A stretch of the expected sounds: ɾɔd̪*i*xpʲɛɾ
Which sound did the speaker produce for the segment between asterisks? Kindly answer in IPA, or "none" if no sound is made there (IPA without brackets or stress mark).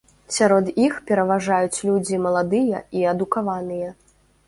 i